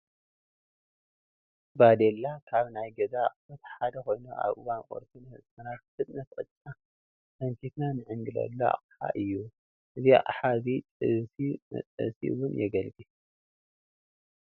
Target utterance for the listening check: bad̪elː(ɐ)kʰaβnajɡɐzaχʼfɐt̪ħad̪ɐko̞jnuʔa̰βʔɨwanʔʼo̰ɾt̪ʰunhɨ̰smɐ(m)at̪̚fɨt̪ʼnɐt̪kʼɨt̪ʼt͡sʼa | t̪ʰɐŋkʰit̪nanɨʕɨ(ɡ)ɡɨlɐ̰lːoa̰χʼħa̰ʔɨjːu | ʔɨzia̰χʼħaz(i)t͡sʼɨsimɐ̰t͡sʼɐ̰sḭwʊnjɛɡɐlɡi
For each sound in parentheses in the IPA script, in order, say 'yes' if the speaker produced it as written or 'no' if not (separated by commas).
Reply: no, no, no, yes